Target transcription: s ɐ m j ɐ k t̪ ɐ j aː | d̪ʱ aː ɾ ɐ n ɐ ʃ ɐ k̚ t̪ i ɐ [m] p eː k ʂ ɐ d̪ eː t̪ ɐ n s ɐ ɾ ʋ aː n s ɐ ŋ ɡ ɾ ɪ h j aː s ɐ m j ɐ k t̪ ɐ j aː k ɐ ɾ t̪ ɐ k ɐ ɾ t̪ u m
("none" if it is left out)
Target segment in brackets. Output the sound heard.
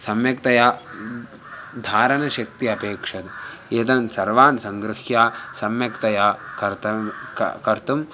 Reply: none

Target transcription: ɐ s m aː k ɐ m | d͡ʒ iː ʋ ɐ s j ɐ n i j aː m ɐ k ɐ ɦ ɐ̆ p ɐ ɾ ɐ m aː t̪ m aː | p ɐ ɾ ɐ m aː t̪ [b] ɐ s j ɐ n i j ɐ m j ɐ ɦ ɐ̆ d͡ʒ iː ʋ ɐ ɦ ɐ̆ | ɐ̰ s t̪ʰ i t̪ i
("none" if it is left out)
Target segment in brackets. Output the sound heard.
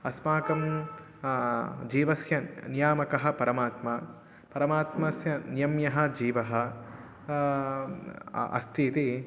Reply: m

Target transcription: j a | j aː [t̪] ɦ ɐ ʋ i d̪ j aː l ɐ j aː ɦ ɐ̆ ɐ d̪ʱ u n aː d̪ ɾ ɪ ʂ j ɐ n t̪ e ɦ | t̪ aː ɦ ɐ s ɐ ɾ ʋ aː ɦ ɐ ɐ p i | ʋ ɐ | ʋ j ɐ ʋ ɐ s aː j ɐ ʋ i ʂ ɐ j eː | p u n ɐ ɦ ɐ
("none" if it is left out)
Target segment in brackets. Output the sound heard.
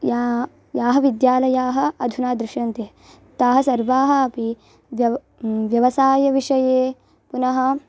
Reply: none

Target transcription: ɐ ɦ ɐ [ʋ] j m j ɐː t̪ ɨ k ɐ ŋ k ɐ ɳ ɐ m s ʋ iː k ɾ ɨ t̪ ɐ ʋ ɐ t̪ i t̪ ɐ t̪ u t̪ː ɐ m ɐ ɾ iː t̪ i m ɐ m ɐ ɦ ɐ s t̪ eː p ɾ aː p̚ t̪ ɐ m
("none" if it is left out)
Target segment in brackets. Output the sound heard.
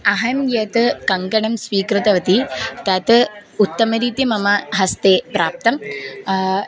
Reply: none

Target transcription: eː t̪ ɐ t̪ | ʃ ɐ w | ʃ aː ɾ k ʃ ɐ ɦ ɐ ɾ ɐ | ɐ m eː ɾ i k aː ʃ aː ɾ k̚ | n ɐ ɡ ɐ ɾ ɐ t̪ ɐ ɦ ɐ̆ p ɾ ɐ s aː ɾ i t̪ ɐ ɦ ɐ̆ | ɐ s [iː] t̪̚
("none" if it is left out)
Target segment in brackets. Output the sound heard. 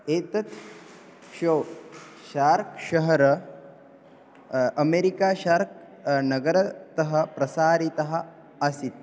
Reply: i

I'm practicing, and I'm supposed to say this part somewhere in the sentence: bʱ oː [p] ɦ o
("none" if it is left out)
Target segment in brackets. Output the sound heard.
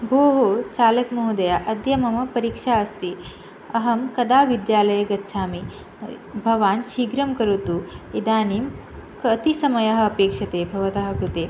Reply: none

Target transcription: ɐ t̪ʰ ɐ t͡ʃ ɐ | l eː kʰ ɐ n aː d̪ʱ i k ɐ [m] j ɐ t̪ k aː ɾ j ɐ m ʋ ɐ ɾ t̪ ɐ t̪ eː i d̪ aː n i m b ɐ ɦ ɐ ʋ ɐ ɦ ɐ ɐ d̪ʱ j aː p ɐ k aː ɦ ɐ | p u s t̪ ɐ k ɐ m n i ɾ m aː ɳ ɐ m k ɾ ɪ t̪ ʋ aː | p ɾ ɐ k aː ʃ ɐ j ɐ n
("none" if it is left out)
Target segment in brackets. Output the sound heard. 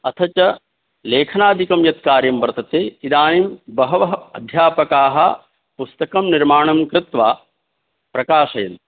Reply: m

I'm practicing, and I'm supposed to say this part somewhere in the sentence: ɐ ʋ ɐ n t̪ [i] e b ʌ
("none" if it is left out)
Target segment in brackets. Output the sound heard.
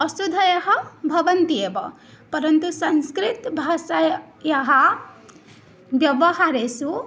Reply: i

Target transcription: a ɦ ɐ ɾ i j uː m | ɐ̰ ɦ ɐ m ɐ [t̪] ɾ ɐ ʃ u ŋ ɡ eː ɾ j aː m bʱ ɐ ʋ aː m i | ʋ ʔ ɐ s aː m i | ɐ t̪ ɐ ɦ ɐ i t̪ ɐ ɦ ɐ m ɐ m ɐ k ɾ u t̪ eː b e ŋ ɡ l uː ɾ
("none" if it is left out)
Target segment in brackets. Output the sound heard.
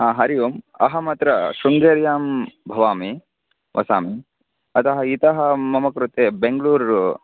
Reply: t̪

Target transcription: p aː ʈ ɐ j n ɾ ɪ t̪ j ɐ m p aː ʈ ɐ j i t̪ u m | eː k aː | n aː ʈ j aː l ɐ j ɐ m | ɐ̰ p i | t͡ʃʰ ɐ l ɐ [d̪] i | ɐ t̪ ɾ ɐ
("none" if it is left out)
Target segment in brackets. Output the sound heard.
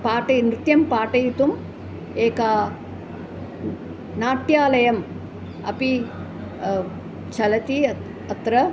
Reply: t̪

